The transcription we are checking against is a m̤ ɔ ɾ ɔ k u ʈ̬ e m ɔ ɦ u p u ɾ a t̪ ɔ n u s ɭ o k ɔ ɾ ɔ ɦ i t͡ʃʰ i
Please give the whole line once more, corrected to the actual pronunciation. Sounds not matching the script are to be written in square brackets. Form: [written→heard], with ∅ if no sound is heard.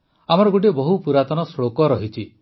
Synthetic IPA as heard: a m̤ ɔ ɾ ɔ [k→ɡ] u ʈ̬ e [m→b] ɔ ɦ u p u ɾ a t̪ ɔ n [u→ɔ] s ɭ o k ɔ ɾ ɔ ɦ i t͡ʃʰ i